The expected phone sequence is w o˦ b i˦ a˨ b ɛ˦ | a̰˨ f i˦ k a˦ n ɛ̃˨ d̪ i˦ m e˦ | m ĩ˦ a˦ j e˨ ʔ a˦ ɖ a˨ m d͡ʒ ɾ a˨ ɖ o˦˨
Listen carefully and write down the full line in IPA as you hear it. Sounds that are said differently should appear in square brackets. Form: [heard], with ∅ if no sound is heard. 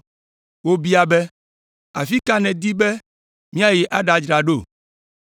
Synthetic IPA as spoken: w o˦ b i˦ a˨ b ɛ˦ | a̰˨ f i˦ k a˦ n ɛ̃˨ d̪ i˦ [b] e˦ | m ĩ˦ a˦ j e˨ ʔ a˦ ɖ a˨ [∅] d͡ʒ ɾ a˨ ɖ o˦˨